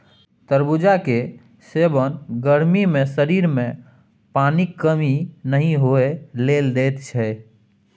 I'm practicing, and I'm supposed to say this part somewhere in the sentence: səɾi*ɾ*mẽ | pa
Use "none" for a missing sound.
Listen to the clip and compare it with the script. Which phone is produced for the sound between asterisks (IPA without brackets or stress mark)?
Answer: ɾ